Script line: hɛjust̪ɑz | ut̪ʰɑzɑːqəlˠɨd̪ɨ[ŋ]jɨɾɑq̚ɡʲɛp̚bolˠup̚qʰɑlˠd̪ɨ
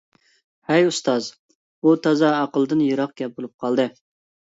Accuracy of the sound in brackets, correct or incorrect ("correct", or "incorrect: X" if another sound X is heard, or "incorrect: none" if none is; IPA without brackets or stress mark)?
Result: incorrect: n